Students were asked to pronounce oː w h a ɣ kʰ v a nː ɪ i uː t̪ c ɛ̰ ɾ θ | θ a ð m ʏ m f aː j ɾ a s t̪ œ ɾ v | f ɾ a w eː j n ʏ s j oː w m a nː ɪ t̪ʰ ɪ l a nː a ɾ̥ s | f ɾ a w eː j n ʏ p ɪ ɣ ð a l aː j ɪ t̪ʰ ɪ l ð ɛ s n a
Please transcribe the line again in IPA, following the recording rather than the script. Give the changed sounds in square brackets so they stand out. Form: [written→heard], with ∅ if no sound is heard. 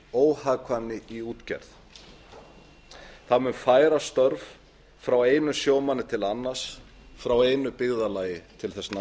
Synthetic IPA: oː w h a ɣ kʰ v a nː ɪ i uː t̪ c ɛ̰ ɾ θ | θ a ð m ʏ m f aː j ɾ a s t̪ œ ɾ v | f ɾ a w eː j n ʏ s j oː w m a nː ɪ t̪ʰ ɪ l a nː a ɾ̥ s | f ɾ a w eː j n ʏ p ɪ ɣ ð a l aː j ɪ t̪ʰ ɪ l [ð→θ] ɛ s n a

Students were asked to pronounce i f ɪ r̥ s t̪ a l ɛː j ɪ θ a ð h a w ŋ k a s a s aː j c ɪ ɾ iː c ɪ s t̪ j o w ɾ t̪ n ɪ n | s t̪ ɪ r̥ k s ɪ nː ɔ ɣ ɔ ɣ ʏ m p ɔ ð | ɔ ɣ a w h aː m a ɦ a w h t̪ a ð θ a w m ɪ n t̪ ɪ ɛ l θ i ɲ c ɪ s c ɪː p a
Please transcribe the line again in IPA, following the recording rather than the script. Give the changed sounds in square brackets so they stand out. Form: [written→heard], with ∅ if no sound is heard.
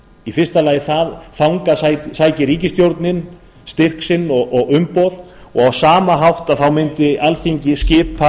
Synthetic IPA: i f ɪ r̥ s t̪ a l [ɛː→aː] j ɪ θ a ð [h→θ] a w ŋ k a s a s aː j c ɪ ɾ iː c ɪ s t̪ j o w ɾ t̪ n ɪ n | s t̪ ɪ r̥ k s ɪ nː ɔ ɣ ɔ ɣ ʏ m p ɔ ð | ɔ ɣ a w [h→s] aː m a ɦ a w h t̪ a ð θ a w m ɪ n t̪ ɪ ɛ l θ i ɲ c ɪ s c ɪː p a

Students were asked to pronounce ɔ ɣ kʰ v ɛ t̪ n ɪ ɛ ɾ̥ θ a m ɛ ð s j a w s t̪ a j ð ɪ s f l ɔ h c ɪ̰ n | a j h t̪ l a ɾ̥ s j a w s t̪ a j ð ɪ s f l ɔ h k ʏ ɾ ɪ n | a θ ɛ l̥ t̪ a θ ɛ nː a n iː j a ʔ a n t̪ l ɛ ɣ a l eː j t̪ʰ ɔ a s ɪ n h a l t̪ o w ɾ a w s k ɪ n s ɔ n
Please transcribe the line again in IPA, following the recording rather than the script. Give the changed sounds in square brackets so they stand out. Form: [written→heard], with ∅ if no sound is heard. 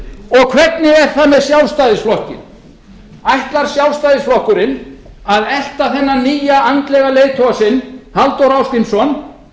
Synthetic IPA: ɔ ɣ kʰ v ɛ t̪ n ɪ ɛ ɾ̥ θ a m ɛ ð s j a w s t̪ a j ð ɪ s f l ɔ h c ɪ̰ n | a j h t̪ l a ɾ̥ s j a w s t̪ a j ð ɪ s f l ɔ h k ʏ ɾ ɪ n | a [θ→ð] ɛ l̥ t̪ a θ ɛ nː a n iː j a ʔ a n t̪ l ɛ ɣ a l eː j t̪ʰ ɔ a s ɪ n h a l t̪ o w ɾ a w s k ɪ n s ɔ n

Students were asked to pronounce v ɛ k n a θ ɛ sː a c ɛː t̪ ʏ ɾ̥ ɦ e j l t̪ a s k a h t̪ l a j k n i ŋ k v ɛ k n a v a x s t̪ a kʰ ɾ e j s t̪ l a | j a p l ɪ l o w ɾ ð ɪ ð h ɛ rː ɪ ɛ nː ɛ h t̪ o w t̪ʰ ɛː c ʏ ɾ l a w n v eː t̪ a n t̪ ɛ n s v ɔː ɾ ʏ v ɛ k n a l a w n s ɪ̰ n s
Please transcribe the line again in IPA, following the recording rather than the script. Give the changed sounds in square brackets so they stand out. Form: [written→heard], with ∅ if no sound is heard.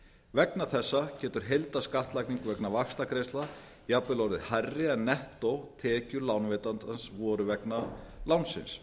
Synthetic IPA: v ɛ k n a θ ɛ sː a c ɛː t̪ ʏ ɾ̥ ɦ e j l t̪ a s k a h t̪ l a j k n i ŋ k v ɛ k n a v a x s t̪ a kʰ ɾ e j s t̪ l a | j a p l ɪ l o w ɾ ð ɪ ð h [ɛ→a] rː ɪ ɛ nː ɛ h t̪ o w t̪ʰ ɛː c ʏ ɾ l a w n v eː t̪ a n t̪ [ɛ→a] n s v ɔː ɾ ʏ v ɛ k n a l a w n s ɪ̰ n s

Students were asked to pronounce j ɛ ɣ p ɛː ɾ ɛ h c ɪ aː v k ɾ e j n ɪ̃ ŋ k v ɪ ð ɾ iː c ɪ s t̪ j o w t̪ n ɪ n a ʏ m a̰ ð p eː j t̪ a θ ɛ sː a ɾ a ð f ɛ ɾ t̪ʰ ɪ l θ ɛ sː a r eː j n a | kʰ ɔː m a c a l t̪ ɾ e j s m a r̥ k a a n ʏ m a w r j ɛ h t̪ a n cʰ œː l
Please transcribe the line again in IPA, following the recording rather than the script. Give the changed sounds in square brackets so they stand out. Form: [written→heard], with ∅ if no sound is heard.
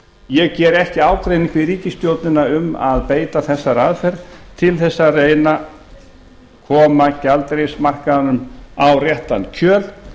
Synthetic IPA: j ɛ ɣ [p→c] ɛː ɾ ɛ h c ɪ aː [v→w] k ɾ e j n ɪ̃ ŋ k v ɪ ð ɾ iː c ɪ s t̪ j o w t̪ n ɪ n a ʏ m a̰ ð p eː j t̪ a θ ɛ sː a ɾ a ð f ɛ ɾ t̪ʰ ɪ l θ ɛ sː a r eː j n a | kʰ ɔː m a c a l t̪ ɾ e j s m a r̥ k a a n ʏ m a w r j ɛ h t̪ a n cʰ œː l

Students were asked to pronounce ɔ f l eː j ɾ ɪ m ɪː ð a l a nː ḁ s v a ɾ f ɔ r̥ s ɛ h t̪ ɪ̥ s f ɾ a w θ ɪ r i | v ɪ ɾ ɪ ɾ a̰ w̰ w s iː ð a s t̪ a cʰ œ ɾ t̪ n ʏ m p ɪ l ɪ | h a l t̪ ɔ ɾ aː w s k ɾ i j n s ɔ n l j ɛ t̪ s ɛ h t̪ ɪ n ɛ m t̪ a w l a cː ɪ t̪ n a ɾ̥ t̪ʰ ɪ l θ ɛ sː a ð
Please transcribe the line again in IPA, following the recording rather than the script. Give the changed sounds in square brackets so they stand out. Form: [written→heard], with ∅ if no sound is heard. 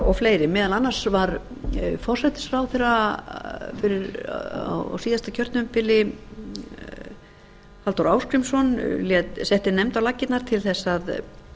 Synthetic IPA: ɔ f l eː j ɾ ɪ m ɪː ð a l a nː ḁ s v a ɾ f ɔ r̥ s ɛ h t̪ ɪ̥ s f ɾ a w θ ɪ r [i→a] | [v→f] ɪ ɾ ɪ ɾ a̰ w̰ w s iː ð a s t̪ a cʰ œ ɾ t̪ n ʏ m p ɪ l ɪ | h a l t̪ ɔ ɾ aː w s k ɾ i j [n→m] s ɔ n l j ɛ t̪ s ɛ h t̪ ɪ n ɛ m t̪ a w l a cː ɪ t̪ n a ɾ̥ t̪ʰ ɪ l θ ɛ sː a ð

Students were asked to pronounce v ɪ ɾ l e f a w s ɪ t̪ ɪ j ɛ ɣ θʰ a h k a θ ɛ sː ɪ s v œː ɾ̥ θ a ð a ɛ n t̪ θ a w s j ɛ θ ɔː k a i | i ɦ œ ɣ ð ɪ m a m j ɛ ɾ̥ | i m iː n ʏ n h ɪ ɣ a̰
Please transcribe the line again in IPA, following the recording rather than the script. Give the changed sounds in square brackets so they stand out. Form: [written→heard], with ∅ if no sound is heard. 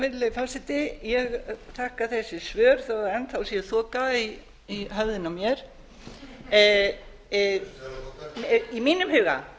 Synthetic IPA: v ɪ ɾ l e f a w s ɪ t̪ ɪ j ɛ ɣ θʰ a h k a θ ɛ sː ɪ s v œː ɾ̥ θ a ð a ɛ n t̪ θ a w s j ɛ θ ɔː k a i | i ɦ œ [ɣ→v] ð ɪ [m→n] a m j ɛ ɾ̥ | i m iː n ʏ [n→m] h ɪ ɣ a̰

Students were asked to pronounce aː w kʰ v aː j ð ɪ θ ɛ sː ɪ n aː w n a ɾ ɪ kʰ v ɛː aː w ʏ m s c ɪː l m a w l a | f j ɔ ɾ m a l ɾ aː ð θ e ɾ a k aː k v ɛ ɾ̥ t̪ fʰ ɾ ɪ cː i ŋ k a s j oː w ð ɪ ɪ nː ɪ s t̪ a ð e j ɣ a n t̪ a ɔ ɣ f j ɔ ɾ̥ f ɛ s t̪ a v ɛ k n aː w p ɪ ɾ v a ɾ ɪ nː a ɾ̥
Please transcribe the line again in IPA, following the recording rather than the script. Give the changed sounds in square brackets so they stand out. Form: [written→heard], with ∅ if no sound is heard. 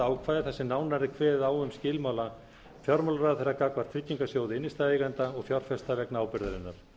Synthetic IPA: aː w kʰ v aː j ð ɪ θ ɛ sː ɪ n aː w n a ɾ ɪ kʰ v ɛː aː w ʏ m s c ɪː l m a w l a | f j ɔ ɾ m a l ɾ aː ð θ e ɾ a k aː k v [ɛ→a] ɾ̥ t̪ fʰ ɾ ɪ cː i ŋ k a s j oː w ð ɪ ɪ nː ɪ s t̪ a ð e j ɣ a n t̪ a ɔ ɣ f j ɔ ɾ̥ f ɛ s t̪ a v ɛ k n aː w p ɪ ɾ [v→ð] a ɾ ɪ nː a ɾ̥

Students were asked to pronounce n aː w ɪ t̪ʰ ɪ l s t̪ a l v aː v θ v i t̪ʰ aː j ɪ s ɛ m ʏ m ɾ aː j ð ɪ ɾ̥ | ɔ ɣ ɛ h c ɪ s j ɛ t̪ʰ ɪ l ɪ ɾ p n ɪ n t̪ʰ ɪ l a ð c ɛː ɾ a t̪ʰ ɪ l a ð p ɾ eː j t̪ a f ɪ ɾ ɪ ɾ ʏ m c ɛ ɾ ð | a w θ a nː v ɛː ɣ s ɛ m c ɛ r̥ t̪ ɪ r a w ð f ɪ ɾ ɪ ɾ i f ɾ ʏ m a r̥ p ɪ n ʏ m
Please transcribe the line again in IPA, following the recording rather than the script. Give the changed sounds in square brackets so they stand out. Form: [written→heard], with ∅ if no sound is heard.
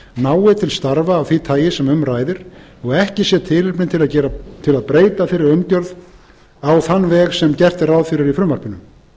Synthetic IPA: n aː w ɪ t̪ʰ ɪ l s t̪ a [l→ɾ] v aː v θ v i t̪ʰ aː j ɪ s ɛ m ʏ m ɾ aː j ð ɪ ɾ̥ | ɔ ɣ ɛ h c ɪ s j ɛ t̪ʰ ɪ l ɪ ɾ p n ɪ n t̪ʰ ɪ l a ð c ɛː ɾ a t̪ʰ ɪ l a ð p ɾ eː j t̪ a f ɪ ɾ ɪ ɾ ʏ m c [ɛ→œ] ɾ ð | a w θ a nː v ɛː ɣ s ɛ m c ɛ r̥ t̪ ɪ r a w ð f ɪ ɾ ɪ ɾ i f ɾ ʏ m a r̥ p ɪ n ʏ m

